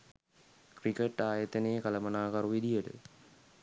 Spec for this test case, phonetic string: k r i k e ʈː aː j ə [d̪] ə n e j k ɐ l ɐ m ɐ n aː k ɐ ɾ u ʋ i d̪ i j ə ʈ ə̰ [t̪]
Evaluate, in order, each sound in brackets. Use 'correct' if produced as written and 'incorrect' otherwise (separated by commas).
incorrect, incorrect